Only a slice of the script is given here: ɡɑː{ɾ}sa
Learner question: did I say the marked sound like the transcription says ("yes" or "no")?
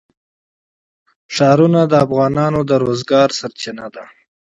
yes